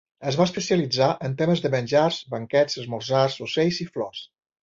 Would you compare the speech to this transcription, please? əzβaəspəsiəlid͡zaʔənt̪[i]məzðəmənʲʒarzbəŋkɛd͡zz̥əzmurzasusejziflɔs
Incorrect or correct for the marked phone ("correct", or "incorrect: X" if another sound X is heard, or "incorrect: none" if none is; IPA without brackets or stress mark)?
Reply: incorrect: e